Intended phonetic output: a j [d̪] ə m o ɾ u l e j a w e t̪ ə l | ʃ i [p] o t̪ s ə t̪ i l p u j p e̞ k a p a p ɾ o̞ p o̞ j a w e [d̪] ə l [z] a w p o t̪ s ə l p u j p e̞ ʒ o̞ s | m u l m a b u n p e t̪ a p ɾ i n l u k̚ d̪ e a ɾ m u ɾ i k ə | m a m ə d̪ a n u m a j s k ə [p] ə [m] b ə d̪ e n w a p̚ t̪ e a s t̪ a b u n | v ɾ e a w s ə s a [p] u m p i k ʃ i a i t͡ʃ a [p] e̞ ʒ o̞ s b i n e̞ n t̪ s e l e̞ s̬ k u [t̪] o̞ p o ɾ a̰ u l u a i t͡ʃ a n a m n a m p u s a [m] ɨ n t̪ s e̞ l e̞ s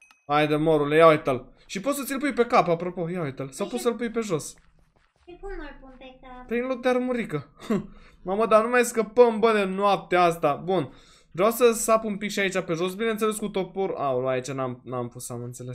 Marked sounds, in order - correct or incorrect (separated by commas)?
correct, correct, incorrect, incorrect, correct, correct, correct, correct, correct, correct